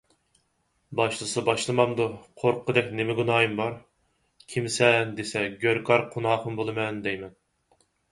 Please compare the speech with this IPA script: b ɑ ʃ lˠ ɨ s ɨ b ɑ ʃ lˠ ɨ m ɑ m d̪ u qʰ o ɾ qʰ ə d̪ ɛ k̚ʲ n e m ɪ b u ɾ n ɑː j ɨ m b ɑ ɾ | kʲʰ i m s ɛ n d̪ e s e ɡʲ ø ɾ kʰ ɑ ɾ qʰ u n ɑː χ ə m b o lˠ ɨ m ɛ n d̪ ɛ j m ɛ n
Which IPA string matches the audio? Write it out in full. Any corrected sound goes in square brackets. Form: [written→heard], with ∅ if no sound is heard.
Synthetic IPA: b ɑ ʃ lˠ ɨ s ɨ b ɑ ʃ lˠ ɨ m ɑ m d̪ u qʰ o ɾ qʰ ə d̪ ɛ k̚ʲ n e m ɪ [b→ɡ] u [ɾ→∅] n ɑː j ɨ m b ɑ ɾ | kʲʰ i m s ɛ n d̪ e s [e→ɛ] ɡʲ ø ɾ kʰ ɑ ɾ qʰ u n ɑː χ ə m b o lˠ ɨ m ɛ n d̪ ɛ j m ɛ n

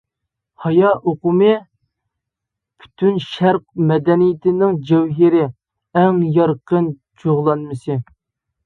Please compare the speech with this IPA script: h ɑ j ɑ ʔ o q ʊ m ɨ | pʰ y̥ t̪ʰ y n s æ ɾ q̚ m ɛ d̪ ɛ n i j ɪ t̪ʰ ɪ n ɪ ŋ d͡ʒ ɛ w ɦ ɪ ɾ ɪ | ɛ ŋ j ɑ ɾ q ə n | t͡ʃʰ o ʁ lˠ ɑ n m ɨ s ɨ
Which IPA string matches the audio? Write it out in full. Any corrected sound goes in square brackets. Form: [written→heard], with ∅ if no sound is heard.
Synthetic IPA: h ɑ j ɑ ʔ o q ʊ m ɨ | pʰ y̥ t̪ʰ y n [s→ʃ] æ ɾ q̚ m ɛ d̪ ɛ n i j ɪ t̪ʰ ɪ n ɪ ŋ d͡ʒ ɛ w ɦ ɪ ɾ ɪ | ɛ ŋ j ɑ ɾ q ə n | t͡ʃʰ o ʁ lˠ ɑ n m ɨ s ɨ

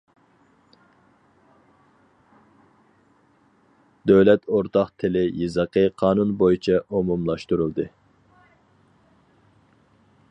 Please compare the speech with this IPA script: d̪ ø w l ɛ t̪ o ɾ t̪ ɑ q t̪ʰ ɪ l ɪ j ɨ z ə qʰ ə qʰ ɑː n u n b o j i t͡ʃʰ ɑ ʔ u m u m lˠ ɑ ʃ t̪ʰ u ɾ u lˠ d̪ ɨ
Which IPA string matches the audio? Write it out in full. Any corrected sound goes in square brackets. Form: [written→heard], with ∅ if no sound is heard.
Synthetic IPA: d̪ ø w l ɛ t̪ o ɾ t̪ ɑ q t̪ʰ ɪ l ɪ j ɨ z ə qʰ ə qʰ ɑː n u n b o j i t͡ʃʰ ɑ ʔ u m u m lˠ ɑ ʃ [t̪ʰ→t̪] u ɾ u lˠ d̪ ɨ

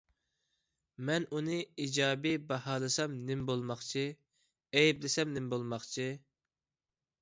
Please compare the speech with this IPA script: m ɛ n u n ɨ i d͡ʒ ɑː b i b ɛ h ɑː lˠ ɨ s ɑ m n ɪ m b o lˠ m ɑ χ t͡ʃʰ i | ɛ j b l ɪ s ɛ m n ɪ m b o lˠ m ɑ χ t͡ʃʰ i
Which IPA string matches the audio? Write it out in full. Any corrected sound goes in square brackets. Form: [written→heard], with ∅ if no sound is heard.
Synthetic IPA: m ɛ n u n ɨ i d͡ʒ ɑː b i b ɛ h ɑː lˠ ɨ s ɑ m n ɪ m b o lˠ m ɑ χ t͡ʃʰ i | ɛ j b l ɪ s ɛ m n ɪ m b o lˠ m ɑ χ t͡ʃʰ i

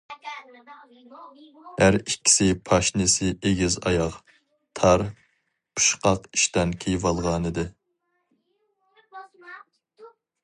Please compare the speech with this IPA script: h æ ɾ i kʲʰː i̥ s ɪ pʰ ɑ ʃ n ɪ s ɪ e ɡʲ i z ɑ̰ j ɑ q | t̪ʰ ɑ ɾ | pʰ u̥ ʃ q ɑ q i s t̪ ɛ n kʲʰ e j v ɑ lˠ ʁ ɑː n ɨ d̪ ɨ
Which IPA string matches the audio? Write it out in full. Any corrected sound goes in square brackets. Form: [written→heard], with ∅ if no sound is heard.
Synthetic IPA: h æ ɾ i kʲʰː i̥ s ɪ pʰ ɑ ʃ n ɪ s ɪ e ɡʲ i z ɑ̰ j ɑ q | t̪ʰ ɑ ɾ | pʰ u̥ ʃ q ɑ q i [s→ʃ] t̪ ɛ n kʲʰ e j v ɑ lˠ ʁ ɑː n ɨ d̪ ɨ

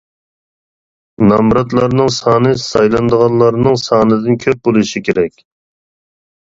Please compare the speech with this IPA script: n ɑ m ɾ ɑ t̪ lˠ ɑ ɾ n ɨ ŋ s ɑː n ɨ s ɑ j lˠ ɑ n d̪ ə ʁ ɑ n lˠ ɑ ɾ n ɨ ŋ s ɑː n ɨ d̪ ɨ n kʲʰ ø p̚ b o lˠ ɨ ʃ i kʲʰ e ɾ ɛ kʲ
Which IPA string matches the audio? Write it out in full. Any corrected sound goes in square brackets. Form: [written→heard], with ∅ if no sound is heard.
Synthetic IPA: n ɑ m ɾ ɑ t̪ lˠ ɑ ɾ n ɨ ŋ s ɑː n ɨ s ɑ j lˠ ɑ n d̪ ə ʁ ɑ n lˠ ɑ ɾ n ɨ ŋ s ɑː n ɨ d̪ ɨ n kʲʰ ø p̚ b o lˠ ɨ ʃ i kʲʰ e ɾ ɛ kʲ

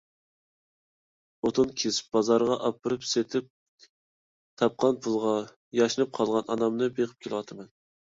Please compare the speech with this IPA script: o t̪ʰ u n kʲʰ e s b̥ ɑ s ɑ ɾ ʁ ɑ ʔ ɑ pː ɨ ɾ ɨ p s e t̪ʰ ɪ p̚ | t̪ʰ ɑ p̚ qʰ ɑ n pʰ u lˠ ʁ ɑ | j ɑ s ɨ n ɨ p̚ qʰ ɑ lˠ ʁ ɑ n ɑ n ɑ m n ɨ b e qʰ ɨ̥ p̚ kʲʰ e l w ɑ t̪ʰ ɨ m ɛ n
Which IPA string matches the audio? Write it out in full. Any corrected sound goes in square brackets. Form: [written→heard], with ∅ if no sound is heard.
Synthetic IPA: o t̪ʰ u n kʲʰ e s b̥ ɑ [s→z] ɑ ɾ ʁ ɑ ʔ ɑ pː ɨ ɾ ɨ p s e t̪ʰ ɪ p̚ | t̪ʰ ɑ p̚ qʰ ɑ n pʰ u lˠ ʁ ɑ | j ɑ [s→ʃ] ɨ n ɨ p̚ qʰ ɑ lˠ ʁ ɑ n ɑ n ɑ m n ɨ b e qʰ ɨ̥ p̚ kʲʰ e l w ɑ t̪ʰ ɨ m ɛ n

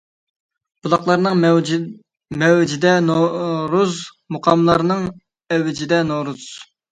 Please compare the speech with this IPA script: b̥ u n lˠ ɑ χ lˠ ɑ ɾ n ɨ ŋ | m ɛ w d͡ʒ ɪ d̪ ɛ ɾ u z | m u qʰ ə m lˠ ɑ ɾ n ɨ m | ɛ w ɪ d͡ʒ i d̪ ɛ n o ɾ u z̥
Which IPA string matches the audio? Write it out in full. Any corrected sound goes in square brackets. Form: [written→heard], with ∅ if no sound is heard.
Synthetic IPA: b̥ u [n→∅] lˠ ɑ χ lˠ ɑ ɾ n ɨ ŋ | m ɛ w d͡ʒ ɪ d̪ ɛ ɾ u z | m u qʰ [ə→ɑ] m lˠ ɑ ɾ n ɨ [m→ŋ] | ɛ w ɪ d͡ʒ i d̪ ɛ n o ɾ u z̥

